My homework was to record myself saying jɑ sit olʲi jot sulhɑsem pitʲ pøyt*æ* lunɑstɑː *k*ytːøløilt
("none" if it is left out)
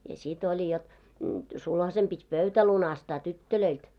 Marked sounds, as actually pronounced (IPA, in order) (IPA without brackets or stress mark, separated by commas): æ, t